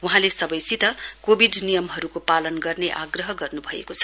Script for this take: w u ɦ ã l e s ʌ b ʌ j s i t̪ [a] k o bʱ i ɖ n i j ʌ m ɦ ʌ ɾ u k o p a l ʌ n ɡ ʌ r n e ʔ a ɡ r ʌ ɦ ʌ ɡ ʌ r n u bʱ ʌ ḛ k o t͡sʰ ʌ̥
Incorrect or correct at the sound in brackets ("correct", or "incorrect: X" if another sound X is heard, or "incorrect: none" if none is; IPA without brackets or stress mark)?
incorrect: ʌ